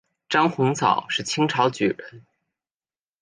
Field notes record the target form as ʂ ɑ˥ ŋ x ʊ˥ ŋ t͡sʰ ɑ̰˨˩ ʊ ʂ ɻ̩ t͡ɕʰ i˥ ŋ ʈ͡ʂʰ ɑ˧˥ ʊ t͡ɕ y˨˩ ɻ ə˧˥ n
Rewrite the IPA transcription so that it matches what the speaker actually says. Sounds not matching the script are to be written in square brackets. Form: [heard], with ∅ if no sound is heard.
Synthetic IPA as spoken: [ʈ͡ʂ] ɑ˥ ŋ x [ʊ˧˥] ŋ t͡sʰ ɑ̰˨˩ ʊ ʂ ɻ̩ t͡ɕʰ i˥ ŋ ʈ͡ʂʰ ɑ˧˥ ʊ t͡ɕ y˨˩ ɻ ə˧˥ n

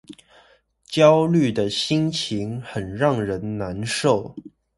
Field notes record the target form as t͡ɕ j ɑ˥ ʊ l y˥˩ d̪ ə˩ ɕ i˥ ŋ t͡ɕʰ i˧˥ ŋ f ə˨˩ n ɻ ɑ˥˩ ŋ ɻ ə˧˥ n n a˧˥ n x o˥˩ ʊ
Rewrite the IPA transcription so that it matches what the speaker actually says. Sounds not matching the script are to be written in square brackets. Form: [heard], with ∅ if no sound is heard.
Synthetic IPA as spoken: t͡ɕ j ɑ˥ ʊ l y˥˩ d̪ ə˩ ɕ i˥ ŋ t͡ɕʰ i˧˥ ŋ [x] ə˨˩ n ɻ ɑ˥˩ ŋ ɻ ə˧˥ n n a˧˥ n [ʂ] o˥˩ ʊ

